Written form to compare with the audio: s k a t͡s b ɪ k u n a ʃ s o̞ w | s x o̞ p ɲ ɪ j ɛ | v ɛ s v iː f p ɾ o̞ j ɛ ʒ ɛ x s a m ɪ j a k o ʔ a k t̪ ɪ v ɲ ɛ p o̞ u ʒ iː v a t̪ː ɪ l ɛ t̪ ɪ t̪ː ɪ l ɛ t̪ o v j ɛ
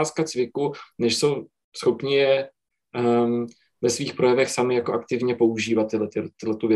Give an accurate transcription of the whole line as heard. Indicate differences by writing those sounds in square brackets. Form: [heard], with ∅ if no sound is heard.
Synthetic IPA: s k a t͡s [v] ɪ k u n [ɛ] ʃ s o̞ w | s x o̞ p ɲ ɪ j ɛ | v ɛ s v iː [x] p ɾ o̞ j ɛ [v] ɛ x s a m ɪ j a k o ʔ a k t̪ ɪ v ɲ ɛ p o̞ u ʒ iː v a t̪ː ɪ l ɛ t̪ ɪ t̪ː ɪ l ɛ t̪ [u] v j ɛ